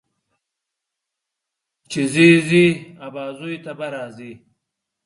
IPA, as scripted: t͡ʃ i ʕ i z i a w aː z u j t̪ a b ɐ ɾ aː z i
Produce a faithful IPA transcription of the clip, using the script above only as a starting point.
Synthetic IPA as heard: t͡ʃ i z i z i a b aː z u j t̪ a b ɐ ɾ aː z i

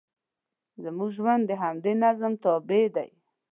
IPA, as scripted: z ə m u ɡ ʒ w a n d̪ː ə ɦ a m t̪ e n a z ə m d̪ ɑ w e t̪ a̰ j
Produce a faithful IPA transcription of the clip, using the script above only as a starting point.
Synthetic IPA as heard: z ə m u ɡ ʒ w a n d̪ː ə ɦ a m d̪ e n a z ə m t̪ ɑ b e d̪ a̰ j

